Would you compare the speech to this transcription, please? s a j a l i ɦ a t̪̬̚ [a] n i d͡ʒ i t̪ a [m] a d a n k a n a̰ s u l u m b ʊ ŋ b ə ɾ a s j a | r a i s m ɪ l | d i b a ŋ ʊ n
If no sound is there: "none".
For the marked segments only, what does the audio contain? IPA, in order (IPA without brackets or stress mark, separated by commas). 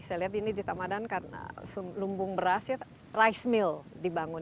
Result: i, m